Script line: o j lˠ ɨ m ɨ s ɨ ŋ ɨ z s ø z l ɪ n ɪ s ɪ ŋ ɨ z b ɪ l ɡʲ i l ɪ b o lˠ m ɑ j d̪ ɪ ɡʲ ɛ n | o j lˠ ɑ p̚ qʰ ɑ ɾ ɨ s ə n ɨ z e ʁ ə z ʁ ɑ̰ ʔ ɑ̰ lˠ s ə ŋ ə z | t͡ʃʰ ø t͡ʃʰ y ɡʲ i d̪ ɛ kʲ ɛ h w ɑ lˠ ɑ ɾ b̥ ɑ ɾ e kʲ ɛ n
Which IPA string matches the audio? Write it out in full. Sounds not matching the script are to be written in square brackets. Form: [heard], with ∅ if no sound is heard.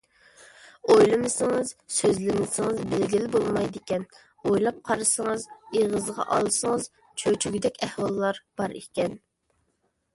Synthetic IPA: o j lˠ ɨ m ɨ s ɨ ŋ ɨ z s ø z l ɪ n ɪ s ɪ ŋ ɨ z b ɪ l ɡʲ i l ɪ b o lˠ m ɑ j d̪ ɪ [kʲ] ɛ n | o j lˠ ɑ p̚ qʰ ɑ ɾ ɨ s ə [ŋ] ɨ z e ʁ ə z ʁ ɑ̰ ʔ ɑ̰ lˠ s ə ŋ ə z | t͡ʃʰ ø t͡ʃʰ y ɡʲ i d̪ ɛ kʲ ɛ h w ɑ [lˠː] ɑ ɾ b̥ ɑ ɾ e kʲ ɛ n